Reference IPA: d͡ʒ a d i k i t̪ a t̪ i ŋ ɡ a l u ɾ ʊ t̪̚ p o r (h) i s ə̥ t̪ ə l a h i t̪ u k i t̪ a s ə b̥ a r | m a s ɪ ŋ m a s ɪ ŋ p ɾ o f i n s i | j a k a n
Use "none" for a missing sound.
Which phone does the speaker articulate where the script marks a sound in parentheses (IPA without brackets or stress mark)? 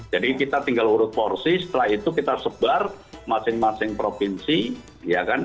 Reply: s